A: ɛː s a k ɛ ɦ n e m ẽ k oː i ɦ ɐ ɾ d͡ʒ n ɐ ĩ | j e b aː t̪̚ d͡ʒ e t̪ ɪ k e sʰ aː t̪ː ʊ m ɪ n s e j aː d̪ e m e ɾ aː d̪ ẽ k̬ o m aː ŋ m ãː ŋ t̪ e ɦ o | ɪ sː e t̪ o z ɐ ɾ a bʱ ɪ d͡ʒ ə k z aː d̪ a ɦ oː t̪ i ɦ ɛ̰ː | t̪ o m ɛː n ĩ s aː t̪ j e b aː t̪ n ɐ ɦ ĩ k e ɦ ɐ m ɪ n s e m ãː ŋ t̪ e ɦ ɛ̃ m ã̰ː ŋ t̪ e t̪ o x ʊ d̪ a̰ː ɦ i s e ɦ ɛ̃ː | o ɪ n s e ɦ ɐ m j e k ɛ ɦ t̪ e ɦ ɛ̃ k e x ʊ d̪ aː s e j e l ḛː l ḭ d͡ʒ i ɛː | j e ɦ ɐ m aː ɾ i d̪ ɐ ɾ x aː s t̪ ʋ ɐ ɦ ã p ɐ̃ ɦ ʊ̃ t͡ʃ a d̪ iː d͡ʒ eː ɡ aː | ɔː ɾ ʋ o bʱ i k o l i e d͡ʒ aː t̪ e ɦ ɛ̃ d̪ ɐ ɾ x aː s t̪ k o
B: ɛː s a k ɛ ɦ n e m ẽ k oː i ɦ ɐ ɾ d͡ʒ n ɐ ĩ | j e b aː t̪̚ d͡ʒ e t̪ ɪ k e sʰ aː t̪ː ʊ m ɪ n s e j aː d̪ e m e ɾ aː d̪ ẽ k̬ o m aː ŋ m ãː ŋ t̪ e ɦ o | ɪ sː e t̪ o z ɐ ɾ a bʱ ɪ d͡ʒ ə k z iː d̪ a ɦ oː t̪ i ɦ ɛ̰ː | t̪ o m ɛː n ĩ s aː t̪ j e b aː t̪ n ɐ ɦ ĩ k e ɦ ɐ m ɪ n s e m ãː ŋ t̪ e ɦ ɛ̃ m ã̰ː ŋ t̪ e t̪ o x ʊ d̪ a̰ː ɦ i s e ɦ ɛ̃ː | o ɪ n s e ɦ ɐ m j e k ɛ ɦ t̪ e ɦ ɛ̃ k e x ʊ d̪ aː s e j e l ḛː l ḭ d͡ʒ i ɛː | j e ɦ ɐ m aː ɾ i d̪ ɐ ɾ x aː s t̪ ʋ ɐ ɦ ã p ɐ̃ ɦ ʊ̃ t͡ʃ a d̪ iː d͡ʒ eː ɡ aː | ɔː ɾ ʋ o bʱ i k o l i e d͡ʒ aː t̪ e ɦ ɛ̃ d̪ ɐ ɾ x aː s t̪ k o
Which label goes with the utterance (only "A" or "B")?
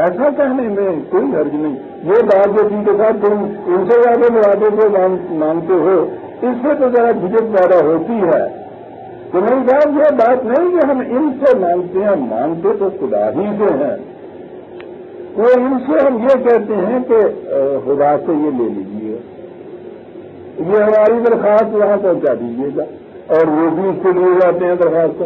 A